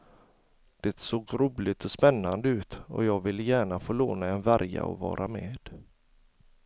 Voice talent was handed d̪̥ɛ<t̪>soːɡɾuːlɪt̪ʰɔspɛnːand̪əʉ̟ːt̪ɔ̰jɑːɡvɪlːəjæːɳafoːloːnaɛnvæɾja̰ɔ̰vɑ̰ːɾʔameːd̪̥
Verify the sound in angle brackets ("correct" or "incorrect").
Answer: correct